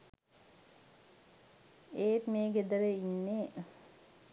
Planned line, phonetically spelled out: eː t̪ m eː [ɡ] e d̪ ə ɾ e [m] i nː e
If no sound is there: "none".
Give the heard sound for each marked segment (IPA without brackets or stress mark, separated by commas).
ɡ, none